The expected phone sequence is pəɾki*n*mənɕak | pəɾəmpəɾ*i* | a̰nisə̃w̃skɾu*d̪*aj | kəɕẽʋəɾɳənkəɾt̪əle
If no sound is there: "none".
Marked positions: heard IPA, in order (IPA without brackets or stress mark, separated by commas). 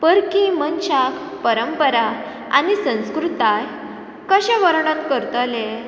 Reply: none, a, t̪